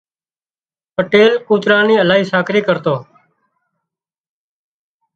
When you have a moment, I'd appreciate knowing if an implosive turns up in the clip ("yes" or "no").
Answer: no